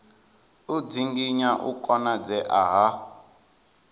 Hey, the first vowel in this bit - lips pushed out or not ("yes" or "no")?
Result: yes